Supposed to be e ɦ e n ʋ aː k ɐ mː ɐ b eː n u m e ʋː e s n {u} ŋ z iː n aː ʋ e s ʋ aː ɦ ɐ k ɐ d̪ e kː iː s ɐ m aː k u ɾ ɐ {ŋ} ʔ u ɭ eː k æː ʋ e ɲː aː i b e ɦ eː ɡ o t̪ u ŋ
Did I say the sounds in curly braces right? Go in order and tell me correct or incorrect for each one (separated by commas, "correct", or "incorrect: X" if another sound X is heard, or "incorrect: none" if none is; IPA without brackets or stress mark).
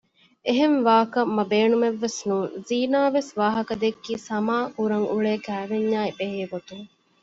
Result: incorrect: uː, correct